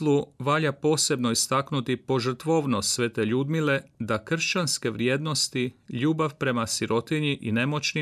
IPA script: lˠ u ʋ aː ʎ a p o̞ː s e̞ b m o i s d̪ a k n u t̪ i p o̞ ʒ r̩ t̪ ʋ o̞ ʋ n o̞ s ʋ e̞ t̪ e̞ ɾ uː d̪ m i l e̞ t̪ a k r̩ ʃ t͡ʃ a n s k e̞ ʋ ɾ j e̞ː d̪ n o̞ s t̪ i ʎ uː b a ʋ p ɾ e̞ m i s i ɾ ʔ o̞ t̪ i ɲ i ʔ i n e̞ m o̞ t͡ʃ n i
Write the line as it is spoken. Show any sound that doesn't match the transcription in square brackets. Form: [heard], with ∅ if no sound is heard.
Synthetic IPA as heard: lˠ u ʋ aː ʎ a p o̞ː s e̞ b [n] o i s [t̪] a k n u t̪ i p o̞ ʒ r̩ t̪ ʋ o̞ ʋ n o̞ s ʋ e̞ t̪ e̞ [ʎ] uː d̪ m i l e̞ [d̪] a k r̩ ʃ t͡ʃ a n s k e̞ ʋ ɾ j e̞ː d̪ n o̞ s t̪ i ʎ uː b a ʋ p ɾ e̞ m [a] s i ɾ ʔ o̞ t̪ i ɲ i ʔ i n e̞ m o̞ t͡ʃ n i